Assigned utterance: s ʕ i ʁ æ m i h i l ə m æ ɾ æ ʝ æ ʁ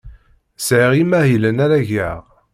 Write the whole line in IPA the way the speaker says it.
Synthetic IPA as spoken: s ʕ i ʁ i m æ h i l ə n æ ɾ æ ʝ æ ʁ